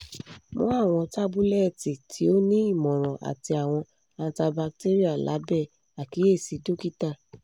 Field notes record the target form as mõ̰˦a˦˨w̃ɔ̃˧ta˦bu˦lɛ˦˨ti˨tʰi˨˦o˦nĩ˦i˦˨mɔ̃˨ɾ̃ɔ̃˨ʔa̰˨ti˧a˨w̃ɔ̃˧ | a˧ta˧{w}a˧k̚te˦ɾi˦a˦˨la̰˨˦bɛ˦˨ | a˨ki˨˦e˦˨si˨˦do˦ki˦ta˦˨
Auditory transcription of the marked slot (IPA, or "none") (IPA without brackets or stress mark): b